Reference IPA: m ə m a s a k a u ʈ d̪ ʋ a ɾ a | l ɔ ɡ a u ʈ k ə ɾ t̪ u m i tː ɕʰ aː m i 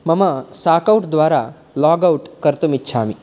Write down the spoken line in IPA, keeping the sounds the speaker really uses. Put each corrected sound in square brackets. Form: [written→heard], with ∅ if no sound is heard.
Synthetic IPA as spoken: m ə m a s a k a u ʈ d̪ ʋ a ɾ a | l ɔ ɡ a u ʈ k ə ɾ t̪ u m i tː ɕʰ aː m i

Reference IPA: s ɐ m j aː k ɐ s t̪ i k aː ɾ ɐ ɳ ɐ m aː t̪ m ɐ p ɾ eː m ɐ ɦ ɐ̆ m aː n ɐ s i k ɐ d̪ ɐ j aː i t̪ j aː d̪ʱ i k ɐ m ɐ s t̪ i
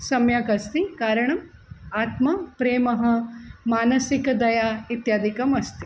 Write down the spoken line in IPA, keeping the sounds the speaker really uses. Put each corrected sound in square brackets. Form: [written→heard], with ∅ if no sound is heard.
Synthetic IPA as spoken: s ɐ m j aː k ɐ s t̪ i k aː ɾ ɐ ɳ ɐ m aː t̪ m ɐ p ɾ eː m ɐ ɦ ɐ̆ m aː n ɐ s i k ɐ d̪ ɐ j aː i t̪ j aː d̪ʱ i k ɐ m ɐ s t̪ i

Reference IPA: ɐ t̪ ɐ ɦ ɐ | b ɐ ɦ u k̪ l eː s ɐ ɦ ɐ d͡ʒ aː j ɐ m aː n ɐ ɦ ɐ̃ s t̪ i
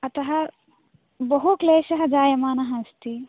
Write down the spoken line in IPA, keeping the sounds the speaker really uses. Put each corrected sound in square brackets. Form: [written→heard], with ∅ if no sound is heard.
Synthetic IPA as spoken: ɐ t̪ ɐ ɦ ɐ | b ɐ ɦ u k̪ l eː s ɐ ɦ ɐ d͡ʒ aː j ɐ m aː n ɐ ɦ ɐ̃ s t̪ i

